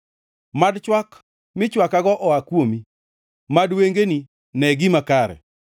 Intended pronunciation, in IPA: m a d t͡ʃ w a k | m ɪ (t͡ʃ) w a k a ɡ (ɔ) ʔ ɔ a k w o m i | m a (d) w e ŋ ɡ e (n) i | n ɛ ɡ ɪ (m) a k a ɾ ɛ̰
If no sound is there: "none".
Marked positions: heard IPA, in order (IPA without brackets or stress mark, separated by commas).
t͡ʃ, ɔ, d, n, m